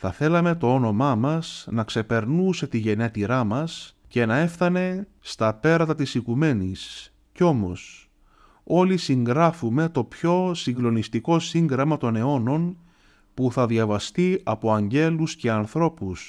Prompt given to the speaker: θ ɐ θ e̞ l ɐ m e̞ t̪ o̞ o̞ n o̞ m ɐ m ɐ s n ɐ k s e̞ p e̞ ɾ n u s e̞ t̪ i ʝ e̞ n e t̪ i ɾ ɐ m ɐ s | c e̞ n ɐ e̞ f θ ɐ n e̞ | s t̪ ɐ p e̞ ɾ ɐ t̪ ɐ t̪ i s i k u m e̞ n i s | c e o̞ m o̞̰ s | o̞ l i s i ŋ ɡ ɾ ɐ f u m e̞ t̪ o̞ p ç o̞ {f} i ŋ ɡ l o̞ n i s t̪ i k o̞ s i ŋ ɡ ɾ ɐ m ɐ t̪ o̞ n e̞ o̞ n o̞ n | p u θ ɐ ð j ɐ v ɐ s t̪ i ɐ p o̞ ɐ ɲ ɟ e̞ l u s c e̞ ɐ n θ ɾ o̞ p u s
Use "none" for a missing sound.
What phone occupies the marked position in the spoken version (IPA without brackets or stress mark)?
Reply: s